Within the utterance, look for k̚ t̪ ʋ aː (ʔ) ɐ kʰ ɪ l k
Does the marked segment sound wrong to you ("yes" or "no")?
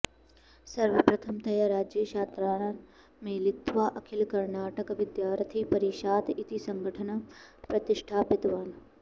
no